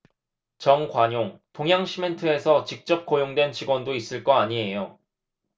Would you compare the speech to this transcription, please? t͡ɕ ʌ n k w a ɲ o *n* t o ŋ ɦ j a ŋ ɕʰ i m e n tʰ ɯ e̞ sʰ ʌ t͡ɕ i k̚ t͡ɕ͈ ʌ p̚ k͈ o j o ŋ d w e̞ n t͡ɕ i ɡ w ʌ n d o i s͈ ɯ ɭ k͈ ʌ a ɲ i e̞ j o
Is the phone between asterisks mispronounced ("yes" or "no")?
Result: yes